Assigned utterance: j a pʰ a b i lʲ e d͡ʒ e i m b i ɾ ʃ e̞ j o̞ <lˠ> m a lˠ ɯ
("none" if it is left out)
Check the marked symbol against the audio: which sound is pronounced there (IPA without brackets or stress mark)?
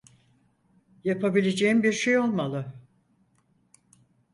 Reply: lˠ